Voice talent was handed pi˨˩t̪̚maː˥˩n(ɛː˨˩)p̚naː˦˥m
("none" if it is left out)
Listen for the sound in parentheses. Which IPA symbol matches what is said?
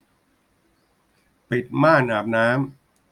aː˨˩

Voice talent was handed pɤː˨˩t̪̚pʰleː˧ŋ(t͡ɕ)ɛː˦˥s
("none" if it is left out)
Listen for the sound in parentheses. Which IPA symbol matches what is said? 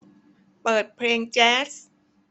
t͡ɕ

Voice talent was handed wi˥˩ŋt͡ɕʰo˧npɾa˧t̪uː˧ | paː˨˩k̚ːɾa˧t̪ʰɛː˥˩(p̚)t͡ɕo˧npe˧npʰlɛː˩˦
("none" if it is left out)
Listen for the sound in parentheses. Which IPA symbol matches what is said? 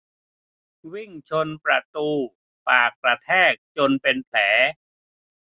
k̚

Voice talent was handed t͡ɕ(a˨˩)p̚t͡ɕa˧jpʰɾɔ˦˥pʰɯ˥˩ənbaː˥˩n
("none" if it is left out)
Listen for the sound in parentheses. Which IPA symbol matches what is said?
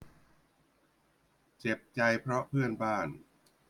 e˨˩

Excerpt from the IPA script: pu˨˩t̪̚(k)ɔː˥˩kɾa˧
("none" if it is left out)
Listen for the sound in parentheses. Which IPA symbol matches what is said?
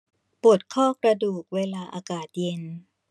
kʰ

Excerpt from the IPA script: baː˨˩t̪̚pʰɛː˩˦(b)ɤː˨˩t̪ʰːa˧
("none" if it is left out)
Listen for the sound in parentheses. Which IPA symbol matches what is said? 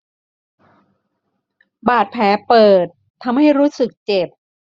p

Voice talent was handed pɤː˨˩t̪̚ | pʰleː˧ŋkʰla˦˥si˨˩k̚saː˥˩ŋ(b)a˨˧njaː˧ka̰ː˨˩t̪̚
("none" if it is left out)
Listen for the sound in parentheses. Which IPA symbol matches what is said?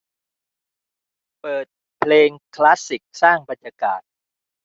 b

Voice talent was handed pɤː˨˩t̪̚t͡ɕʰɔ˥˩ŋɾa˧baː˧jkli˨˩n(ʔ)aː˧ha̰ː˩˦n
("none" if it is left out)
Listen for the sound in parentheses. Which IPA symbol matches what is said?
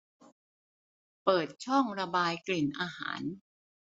ʔ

